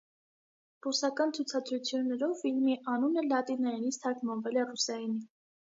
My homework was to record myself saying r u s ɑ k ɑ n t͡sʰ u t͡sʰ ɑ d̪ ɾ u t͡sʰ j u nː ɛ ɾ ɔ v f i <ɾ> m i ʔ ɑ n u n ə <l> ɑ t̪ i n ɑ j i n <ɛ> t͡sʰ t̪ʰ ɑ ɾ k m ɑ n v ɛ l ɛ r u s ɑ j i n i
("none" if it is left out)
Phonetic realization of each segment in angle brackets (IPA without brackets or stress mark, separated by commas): l, l, i